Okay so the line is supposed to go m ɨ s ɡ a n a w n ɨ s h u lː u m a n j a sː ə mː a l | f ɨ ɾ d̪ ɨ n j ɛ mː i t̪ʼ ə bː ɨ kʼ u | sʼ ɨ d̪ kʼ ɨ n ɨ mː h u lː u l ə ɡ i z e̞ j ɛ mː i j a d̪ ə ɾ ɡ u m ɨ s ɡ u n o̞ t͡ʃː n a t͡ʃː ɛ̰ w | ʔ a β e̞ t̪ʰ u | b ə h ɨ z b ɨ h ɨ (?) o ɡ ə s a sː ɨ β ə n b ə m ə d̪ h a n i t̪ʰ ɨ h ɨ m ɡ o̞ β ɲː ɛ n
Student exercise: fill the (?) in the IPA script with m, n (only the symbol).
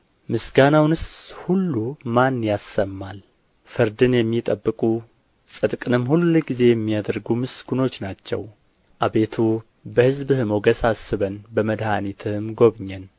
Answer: m